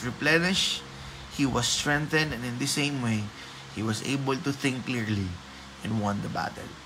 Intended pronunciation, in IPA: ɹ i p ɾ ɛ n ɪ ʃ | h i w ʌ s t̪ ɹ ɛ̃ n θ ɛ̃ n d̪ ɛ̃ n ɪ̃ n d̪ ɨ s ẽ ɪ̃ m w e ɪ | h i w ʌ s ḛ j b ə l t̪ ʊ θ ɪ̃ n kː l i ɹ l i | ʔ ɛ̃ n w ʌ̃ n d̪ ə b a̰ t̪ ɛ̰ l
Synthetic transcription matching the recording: ɹ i p l ɛ n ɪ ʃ | h i w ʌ s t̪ ɹ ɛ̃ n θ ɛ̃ n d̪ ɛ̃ n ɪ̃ n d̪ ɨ s ẽ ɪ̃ m w e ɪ | h i w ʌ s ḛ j b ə l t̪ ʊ θ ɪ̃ ŋ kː l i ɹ l i | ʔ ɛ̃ n w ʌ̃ n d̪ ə b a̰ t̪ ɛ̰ l